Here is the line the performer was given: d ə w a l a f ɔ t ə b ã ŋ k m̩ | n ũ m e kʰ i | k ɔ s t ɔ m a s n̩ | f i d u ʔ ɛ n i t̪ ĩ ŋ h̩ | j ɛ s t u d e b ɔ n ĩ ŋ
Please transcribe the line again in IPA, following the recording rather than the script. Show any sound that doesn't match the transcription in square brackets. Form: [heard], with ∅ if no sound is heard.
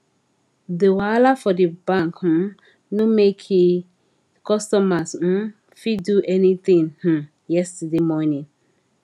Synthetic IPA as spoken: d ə w a l a f ɔ [d] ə b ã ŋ k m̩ | n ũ m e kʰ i | k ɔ s t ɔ m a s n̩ | f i d u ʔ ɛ n i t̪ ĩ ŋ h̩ | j ɛ s t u d e [m] ɔ n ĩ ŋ

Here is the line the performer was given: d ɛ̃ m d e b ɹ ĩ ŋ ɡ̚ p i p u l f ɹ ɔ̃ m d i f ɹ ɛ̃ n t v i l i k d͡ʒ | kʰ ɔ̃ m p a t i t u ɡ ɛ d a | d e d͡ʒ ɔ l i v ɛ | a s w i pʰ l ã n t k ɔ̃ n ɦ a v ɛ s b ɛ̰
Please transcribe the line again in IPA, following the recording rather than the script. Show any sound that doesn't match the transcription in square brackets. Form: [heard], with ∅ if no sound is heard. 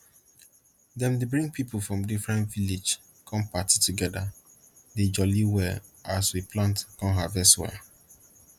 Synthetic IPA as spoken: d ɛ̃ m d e b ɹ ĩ ŋ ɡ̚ p i p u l f ɹ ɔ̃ m d i f ɹ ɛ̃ n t v i l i [∅] d͡ʒ | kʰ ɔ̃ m p a t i t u ɡ ɛ d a | d e d͡ʒ ɔ l i [w] ɛ | a s w i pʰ l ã n t k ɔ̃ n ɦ a v ɛ s [w] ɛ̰

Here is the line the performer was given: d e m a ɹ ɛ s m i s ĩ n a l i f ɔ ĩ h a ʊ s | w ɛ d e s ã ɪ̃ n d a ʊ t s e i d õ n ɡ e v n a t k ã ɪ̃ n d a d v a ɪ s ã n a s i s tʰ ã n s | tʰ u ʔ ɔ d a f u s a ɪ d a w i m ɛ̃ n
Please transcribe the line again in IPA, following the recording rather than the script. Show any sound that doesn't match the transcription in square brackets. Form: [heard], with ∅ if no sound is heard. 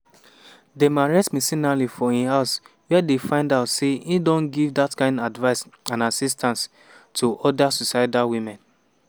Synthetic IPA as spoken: d e m a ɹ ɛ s m i s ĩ n a l i f ɔ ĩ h a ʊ s | w ɛ d e [f] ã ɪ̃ n d a ʊ t s e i d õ n ɡ [i] v [d] a t k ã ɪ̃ n d a d v a ɪ s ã n a s i s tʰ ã n s | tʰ u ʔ ɔ d a [s] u s a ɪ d a w i m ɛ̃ n

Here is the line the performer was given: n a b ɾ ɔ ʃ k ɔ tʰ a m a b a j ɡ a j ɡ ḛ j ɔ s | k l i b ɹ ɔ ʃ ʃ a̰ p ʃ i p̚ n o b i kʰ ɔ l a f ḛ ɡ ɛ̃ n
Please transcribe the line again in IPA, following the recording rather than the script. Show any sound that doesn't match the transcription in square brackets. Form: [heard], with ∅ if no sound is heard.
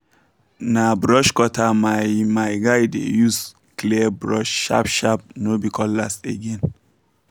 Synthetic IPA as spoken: n a b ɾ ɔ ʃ k ɔ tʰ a m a [m] a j ɡ a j [d] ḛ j [u] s | k l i b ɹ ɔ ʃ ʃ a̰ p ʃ [a] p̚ n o b i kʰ ɔ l a [s] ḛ ɡ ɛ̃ n

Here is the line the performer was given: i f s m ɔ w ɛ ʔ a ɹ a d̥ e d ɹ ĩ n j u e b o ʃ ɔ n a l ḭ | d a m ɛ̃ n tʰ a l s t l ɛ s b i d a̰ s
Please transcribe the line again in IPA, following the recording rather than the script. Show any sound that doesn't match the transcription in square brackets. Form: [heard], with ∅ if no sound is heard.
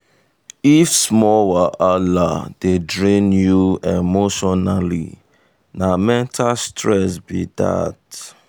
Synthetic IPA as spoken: i f s m ɔ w [a] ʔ a [l] a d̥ e d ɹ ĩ n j u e [m] o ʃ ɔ n a l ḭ | [n] a m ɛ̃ n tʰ a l s t [ɹ] ɛ s b i d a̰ [t]

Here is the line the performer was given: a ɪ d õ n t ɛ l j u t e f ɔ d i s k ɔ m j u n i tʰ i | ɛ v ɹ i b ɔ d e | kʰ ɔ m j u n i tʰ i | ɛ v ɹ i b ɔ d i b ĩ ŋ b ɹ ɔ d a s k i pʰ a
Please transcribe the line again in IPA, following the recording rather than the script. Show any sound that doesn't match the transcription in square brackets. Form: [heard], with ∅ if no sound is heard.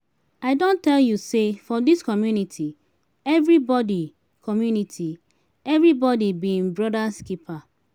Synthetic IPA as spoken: a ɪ d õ n t ɛ l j u [s] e f ɔ d i s k ɔ m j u n i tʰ i | ɛ v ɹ i b ɔ d [i] | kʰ ɔ m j u n i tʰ i | ɛ v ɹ i b ɔ d i b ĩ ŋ b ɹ ɔ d a s k i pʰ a

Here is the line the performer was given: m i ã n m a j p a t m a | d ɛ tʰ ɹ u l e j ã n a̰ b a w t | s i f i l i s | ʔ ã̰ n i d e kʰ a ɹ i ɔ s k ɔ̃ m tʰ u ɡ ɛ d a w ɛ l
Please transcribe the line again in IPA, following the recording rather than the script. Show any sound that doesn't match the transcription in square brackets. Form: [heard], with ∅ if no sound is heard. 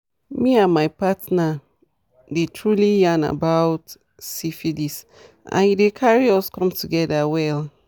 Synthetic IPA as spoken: m i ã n m a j p a t [n] a | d [e] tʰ ɹ u l [i] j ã n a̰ b a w t | s i f i l i s | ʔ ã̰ n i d e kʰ a ɹ i ɔ s k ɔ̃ m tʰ u ɡ ɛ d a w ɛ l

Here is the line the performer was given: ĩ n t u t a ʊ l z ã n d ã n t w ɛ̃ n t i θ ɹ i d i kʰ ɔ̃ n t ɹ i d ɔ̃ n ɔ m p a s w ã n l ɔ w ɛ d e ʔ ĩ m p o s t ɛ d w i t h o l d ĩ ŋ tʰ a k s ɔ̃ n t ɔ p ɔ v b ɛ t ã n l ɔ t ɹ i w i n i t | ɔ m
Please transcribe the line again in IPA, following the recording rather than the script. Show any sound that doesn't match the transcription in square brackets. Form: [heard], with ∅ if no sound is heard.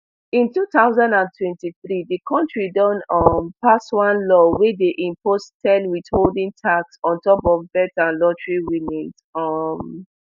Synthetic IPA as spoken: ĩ n t u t a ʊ [∅] z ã n d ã n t w ɛ̃ n t i θ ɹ i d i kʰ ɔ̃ n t ɹ i d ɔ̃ n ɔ m p a s w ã n l ɔ w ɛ d e ʔ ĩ m p o s t ɛ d w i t h o l d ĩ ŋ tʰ a k s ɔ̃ n t ɔ p ɔ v b ɛ t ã n l ɔ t ɹ i w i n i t | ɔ m

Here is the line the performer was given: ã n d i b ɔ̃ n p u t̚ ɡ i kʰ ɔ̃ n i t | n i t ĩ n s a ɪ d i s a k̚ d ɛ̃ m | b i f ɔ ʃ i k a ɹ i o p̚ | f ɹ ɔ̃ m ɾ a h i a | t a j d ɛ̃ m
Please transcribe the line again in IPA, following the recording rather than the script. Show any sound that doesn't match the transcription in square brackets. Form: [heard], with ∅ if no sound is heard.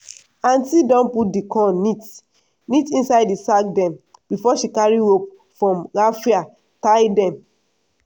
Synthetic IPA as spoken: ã n [t] i [d] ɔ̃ n p u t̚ [d] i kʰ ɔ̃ n i t | n i t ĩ n s a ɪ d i s a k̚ d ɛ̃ m | b i f ɔ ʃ i k a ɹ i o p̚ | f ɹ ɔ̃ m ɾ a [f] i a | t a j d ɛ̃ m

